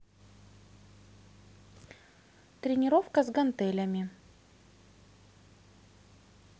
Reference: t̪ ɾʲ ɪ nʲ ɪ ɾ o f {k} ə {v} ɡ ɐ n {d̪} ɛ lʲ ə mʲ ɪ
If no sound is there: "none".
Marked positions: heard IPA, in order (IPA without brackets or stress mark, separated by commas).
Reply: k, z, t̪